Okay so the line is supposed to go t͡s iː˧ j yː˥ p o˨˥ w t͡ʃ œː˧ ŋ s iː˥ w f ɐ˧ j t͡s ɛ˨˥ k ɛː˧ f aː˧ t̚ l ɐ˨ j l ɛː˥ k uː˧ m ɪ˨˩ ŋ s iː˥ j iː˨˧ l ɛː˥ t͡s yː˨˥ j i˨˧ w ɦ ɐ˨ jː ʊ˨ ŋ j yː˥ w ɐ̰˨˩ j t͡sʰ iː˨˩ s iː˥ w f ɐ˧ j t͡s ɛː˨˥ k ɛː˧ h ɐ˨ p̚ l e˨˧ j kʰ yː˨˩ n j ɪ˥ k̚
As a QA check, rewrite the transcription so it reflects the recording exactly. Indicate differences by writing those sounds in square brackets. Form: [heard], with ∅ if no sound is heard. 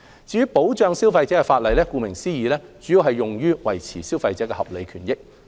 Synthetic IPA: t͡s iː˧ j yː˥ p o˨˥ w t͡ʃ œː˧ ŋ s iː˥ w f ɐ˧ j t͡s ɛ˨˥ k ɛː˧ f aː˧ t̚ l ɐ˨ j l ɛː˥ k uː˧ m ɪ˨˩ ŋ s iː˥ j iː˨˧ l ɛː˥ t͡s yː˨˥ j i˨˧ w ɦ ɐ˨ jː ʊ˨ ŋ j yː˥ w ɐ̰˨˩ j t͡sʰ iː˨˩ s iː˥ w f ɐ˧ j t͡s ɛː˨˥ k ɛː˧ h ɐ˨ p̚ l e˨˧ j kʰ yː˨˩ n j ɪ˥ k̚

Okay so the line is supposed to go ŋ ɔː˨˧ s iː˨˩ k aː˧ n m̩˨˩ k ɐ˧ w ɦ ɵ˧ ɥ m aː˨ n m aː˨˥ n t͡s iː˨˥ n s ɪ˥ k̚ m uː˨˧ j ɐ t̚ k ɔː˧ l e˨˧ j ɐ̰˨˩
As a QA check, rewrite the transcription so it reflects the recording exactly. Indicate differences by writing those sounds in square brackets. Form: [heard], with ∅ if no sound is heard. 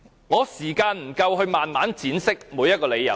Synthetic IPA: ŋ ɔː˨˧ s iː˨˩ k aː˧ n m̩˨˩ k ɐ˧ w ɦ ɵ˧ ɥ m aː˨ n m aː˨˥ n t͡s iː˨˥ n s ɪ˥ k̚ m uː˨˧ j ɐ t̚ k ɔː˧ l e˨˧ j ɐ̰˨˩

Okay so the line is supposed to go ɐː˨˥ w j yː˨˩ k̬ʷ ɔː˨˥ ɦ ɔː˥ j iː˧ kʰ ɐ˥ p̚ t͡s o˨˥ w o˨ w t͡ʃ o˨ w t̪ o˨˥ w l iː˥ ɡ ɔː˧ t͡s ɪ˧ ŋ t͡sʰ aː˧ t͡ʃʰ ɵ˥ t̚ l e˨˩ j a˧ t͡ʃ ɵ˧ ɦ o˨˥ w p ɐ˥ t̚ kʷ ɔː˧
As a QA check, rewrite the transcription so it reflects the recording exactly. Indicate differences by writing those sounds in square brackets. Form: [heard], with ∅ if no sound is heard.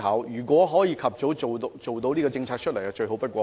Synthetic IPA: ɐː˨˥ w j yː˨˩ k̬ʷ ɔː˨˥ ɦ [ɔː˨˥] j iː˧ kʰ [ɐ˨] p̚ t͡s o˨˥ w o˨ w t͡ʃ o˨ w t̪ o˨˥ w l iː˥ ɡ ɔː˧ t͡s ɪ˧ ŋ t͡sʰ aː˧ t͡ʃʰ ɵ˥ t̚ l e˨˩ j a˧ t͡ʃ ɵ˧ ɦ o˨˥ w p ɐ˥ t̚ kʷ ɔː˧

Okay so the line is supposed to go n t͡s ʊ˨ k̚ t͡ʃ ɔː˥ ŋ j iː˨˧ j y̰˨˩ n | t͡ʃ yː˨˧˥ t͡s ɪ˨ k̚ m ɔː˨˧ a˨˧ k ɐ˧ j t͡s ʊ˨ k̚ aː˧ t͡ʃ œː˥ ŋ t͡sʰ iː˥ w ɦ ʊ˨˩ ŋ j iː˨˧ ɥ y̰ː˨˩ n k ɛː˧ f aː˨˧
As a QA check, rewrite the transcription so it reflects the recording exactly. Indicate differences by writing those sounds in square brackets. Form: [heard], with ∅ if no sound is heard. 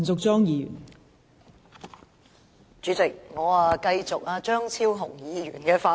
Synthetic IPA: n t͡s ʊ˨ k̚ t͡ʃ ɔː˥ ŋ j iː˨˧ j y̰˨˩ n | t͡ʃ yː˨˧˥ t͡s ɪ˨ k̚ [ŋ] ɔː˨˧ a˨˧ k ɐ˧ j t͡s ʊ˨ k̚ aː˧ t͡ʃ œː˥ ŋ t͡sʰ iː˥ w ɦ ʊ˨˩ ŋ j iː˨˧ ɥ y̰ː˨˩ n k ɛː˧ f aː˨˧

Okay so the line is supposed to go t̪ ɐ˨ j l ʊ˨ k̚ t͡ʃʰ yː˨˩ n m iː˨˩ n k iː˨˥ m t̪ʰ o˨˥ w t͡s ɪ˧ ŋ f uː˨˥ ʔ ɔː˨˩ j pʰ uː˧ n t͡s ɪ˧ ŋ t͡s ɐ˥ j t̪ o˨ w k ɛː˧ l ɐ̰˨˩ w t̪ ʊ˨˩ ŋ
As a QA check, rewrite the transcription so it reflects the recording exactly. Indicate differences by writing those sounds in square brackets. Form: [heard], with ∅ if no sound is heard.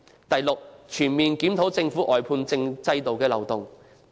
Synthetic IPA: t̪ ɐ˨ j l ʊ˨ k̚ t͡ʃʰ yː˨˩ n m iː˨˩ n k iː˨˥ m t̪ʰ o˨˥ w t͡s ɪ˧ ŋ f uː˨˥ ʔ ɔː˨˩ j pʰ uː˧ n t͡s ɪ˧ ŋ t͡s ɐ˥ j t̪ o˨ w k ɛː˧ l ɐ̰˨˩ w t̪ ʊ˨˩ ŋ

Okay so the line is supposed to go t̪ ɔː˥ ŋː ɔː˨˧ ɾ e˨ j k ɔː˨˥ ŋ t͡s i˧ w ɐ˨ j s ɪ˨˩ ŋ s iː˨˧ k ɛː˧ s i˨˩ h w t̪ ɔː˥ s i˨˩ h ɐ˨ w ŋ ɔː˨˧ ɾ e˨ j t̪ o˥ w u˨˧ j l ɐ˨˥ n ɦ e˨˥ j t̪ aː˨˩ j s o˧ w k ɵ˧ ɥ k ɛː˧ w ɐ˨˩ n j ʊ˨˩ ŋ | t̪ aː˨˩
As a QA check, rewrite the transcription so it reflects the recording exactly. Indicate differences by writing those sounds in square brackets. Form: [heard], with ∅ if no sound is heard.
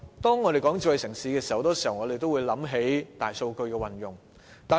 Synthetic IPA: t̪ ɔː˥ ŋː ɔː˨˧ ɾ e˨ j k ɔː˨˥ ŋ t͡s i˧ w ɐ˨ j s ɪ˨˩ ŋ s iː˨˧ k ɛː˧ s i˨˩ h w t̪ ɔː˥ s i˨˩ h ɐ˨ w ŋ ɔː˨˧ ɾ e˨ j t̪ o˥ w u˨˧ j l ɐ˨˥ [m] ɦ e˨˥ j t̪ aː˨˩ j s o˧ w k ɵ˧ ɥ k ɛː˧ w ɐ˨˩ n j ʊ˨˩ ŋ | t̪ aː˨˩

